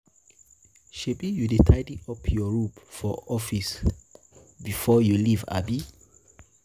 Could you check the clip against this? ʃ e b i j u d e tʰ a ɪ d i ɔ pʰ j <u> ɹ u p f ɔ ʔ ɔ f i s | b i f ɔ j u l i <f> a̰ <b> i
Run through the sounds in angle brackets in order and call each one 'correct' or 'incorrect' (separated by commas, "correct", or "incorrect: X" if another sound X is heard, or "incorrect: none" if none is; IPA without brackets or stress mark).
incorrect: ɔ, incorrect: v, correct